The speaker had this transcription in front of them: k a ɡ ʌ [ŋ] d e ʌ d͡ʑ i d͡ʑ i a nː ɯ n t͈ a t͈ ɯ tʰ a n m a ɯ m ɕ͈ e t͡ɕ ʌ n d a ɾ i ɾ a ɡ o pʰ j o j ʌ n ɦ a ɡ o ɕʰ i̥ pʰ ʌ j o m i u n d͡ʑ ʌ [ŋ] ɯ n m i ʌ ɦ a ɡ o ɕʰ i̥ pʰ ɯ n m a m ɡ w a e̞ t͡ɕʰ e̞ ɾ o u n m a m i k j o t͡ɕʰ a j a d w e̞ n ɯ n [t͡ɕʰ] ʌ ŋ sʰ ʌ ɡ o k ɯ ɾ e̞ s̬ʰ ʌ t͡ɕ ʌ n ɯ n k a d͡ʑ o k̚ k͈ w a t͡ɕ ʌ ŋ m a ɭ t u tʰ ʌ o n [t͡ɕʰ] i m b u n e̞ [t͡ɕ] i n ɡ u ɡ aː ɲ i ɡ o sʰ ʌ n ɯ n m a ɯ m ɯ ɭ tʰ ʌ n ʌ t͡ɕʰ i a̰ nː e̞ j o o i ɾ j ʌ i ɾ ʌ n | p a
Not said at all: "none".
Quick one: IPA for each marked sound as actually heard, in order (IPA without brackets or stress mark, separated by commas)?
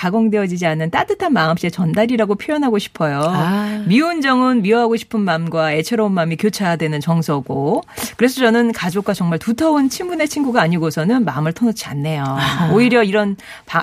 ŋ, ŋ, t͡ɕ, t͡ɕʰ, t͡ɕʰ